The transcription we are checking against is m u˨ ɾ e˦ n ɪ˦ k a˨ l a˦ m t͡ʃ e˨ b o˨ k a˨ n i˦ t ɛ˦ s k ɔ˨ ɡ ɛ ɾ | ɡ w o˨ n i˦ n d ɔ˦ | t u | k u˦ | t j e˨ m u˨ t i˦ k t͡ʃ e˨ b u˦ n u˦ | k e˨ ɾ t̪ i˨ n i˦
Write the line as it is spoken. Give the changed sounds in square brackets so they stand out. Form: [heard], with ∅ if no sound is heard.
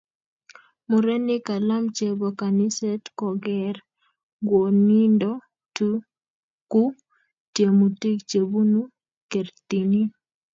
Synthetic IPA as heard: m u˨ ɾ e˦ n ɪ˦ k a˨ l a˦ m t͡ʃ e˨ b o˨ k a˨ n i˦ [s] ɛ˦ [t] k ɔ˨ ɡ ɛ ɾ | ɡ w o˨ n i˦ n d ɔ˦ | t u | k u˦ | t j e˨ m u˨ t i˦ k t͡ʃ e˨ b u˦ n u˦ | k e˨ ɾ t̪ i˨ n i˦